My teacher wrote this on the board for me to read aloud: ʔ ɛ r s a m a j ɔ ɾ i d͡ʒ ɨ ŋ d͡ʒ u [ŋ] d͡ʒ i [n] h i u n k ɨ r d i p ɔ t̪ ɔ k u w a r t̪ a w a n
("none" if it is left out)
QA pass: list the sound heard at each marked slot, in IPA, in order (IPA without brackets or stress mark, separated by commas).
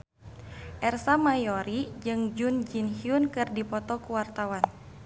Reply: n, n